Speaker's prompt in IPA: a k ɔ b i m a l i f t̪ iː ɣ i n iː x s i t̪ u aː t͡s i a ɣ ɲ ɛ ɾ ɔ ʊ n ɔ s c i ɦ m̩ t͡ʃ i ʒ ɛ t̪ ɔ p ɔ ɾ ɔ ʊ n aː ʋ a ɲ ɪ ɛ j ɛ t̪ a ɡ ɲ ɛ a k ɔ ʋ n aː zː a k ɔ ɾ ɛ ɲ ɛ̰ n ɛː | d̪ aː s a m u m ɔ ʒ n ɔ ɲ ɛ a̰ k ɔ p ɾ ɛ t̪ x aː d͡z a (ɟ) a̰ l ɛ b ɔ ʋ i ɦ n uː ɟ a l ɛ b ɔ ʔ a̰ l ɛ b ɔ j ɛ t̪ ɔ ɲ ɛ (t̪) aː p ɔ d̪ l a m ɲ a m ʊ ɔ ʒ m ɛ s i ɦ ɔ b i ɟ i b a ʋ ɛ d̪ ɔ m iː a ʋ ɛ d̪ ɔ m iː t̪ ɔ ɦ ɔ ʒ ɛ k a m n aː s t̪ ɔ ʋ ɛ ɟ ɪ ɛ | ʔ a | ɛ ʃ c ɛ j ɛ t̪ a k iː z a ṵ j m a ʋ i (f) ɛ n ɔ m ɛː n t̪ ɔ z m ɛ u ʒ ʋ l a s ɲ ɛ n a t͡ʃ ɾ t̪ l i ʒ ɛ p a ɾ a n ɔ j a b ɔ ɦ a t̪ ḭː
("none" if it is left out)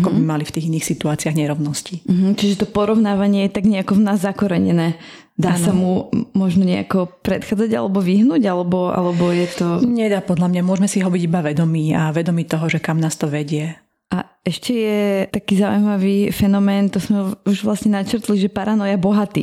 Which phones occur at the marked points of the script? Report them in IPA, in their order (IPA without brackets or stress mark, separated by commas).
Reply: ɟ, d̪, f